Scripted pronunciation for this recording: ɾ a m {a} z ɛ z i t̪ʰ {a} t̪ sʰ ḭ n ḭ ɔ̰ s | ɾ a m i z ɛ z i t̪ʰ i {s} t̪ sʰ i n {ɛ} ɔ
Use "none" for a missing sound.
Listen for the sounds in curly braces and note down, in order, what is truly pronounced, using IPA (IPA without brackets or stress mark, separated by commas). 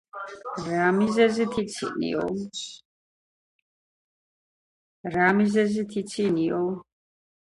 i, i, none, i